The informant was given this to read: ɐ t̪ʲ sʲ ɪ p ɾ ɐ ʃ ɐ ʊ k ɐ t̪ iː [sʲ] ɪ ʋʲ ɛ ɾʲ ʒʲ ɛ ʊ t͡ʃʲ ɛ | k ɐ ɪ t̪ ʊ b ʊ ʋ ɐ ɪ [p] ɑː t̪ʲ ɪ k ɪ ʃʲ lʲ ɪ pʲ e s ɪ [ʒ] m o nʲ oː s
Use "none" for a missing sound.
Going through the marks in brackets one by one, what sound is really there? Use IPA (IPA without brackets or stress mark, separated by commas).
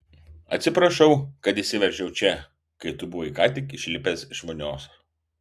sʲ, k, ʃ